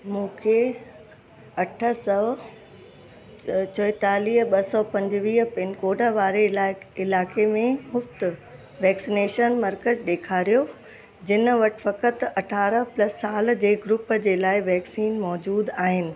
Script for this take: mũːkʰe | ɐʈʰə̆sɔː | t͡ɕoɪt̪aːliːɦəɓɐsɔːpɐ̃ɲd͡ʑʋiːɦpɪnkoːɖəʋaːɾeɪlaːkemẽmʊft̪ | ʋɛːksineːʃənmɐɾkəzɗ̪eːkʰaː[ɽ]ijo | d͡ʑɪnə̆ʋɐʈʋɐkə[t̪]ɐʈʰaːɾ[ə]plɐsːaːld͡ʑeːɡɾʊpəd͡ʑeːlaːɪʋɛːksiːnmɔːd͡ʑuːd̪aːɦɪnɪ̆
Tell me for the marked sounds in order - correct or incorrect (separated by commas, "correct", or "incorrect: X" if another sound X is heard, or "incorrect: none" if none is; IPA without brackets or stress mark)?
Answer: incorrect: ɾ, correct, correct